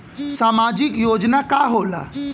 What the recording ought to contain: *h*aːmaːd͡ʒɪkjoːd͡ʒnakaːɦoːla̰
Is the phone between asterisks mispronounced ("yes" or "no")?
yes